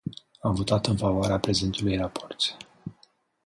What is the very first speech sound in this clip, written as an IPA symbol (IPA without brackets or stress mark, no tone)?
a